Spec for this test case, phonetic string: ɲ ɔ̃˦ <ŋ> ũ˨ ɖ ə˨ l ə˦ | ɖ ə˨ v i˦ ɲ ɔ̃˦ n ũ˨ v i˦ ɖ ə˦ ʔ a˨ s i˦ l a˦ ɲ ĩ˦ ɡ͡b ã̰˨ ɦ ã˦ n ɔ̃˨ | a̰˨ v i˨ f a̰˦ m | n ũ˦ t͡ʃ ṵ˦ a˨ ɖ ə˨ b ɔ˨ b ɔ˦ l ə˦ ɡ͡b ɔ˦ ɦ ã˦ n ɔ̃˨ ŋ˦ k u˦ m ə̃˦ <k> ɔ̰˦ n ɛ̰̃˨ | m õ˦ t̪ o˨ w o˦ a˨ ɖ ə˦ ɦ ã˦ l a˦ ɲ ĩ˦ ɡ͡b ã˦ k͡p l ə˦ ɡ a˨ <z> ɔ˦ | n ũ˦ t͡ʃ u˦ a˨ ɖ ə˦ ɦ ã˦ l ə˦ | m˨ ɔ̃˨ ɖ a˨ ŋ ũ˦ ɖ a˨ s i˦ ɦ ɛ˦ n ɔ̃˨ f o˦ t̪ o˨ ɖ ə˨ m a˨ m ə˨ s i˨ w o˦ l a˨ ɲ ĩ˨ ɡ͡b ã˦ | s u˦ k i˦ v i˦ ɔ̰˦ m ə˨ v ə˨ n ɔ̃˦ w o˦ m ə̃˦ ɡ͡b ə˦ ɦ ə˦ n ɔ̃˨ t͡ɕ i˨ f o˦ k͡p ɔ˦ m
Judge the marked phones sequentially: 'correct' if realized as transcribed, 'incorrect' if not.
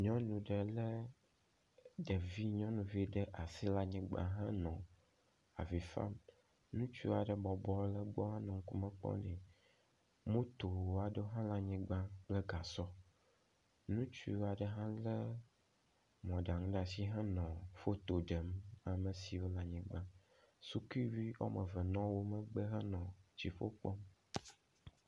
incorrect, incorrect, incorrect

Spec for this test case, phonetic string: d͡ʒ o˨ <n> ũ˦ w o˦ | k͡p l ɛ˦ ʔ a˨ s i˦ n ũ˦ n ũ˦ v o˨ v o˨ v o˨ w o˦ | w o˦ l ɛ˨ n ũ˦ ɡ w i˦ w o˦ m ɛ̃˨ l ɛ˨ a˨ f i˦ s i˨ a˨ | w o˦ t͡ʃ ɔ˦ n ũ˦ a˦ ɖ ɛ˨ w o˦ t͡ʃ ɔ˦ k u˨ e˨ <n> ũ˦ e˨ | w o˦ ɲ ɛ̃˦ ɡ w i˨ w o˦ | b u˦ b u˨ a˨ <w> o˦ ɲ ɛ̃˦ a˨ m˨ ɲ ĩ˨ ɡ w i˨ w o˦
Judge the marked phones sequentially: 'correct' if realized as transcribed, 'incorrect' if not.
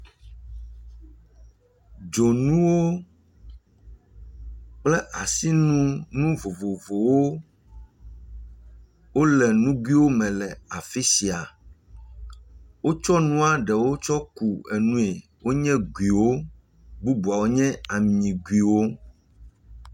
correct, correct, correct

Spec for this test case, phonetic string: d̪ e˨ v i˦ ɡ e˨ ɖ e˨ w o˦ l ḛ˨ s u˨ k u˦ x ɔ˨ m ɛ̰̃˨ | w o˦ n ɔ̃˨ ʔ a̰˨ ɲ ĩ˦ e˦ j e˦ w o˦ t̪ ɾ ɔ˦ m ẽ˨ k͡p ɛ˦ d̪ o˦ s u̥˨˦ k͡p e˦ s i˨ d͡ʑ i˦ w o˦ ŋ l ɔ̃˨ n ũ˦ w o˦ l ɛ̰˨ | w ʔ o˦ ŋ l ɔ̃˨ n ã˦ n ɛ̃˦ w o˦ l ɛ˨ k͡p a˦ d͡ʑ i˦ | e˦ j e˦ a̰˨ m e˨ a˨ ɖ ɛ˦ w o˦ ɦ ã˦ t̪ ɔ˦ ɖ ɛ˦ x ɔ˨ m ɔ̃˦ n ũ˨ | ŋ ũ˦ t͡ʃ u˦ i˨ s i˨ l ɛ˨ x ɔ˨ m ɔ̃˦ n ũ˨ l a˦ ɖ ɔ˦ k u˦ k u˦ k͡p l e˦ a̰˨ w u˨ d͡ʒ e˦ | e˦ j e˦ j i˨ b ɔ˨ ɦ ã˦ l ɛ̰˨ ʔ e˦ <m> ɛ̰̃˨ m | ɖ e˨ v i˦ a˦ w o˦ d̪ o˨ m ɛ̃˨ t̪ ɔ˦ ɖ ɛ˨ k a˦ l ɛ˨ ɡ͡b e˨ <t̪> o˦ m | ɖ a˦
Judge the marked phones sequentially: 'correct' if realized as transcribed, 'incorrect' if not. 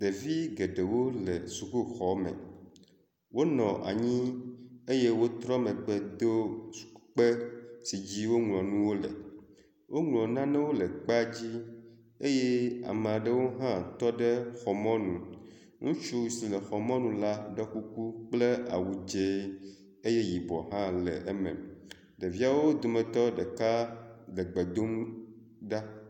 correct, incorrect

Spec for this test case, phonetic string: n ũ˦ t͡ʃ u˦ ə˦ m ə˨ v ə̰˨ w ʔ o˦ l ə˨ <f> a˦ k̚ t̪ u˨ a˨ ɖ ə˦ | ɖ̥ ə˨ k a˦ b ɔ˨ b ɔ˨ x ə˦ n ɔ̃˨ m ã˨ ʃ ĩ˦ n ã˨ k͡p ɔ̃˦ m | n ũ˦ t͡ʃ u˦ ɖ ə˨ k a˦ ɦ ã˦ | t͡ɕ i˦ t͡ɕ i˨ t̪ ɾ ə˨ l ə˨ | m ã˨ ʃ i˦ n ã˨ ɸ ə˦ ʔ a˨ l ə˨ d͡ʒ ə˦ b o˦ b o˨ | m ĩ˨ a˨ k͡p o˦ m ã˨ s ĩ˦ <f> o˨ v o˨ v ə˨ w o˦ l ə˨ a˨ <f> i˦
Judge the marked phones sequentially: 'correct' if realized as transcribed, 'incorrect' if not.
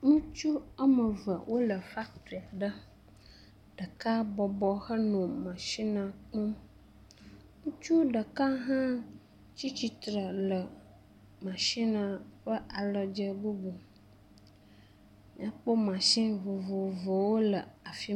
correct, incorrect, correct

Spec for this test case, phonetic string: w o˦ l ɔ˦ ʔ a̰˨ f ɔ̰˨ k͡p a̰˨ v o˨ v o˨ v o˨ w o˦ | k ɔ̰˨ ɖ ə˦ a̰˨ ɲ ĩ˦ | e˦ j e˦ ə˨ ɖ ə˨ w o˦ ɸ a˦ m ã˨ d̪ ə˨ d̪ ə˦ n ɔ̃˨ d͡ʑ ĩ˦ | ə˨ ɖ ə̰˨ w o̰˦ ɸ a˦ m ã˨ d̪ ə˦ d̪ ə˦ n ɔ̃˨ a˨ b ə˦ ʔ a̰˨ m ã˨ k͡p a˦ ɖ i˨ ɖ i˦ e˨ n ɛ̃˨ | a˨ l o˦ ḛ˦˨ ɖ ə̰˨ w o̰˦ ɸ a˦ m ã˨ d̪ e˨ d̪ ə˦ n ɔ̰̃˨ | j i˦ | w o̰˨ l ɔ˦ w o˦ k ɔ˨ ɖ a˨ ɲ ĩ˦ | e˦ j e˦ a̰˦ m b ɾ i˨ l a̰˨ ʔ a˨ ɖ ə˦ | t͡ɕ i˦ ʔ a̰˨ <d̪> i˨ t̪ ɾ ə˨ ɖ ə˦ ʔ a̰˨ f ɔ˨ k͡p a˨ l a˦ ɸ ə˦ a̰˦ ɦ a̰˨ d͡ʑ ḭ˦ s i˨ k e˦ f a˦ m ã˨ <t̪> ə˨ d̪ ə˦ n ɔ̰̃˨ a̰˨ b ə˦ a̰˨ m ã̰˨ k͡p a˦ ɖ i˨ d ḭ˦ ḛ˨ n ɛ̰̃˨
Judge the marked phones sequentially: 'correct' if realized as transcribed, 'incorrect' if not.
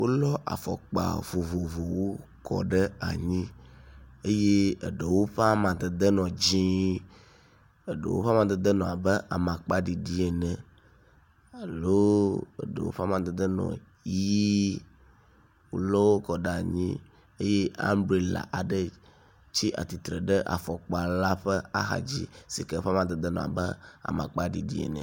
incorrect, incorrect

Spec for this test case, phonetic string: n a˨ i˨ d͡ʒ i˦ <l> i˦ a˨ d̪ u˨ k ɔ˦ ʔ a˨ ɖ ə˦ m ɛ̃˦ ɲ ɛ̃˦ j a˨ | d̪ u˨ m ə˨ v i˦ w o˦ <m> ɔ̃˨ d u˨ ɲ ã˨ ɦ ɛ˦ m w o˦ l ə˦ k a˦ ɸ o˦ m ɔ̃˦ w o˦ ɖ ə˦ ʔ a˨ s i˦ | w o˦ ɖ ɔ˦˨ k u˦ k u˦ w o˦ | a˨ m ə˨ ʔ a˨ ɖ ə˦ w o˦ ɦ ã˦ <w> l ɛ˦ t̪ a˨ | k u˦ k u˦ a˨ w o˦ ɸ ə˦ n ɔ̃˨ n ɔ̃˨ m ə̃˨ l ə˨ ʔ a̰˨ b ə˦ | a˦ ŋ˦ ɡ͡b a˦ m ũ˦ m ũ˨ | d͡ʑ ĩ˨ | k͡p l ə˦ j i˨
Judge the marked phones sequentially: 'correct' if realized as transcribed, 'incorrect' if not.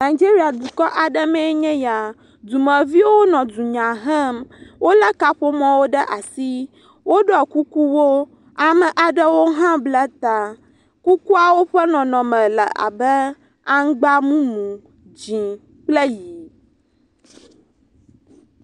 incorrect, incorrect, incorrect

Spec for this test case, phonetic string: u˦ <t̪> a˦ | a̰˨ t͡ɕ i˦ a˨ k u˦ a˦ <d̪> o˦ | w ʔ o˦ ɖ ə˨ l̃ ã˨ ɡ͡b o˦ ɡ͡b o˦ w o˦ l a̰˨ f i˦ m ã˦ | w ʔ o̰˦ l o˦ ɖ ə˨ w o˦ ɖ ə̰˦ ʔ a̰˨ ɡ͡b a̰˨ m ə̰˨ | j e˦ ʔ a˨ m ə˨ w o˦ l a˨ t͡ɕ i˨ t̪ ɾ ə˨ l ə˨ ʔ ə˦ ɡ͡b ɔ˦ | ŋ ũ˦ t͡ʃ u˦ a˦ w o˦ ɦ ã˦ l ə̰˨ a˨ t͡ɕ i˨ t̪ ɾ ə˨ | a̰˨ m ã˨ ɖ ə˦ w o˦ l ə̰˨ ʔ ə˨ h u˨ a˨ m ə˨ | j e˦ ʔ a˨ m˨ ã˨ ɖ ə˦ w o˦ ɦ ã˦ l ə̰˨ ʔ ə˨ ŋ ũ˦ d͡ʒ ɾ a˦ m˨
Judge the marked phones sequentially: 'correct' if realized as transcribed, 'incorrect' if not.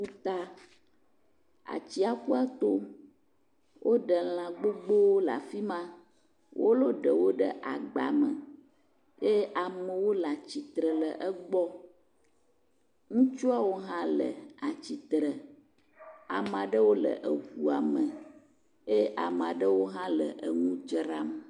correct, incorrect

